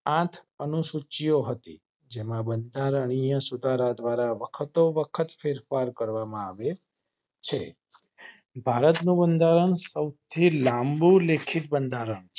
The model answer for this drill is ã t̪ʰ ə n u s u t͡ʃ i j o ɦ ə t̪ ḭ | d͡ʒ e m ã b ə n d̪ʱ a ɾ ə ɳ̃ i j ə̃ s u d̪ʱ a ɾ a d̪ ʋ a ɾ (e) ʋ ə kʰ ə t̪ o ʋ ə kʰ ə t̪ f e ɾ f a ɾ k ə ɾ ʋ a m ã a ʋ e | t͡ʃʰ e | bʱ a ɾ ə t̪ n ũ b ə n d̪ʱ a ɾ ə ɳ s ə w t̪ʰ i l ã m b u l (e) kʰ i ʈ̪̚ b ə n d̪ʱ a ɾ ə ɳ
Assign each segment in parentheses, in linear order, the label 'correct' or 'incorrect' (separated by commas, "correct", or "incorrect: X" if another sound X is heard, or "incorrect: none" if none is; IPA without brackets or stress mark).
incorrect: a, correct